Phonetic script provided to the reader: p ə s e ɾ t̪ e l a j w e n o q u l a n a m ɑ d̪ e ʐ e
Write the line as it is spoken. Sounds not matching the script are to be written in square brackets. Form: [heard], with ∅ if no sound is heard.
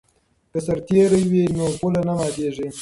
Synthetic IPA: [k] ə s [a] ɾ t̪ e [ɾ] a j w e n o [p] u l a n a m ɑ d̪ e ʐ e